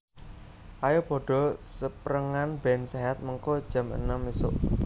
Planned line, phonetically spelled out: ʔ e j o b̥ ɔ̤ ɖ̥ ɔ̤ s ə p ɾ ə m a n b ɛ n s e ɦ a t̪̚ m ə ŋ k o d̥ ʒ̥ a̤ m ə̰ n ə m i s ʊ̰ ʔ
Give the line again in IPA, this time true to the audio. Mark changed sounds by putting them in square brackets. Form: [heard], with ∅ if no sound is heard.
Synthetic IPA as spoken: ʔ [a] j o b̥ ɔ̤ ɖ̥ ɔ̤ s ə p ɾ ə [ŋ] a n b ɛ n s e ɦ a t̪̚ m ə ŋ k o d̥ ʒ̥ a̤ m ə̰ n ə m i s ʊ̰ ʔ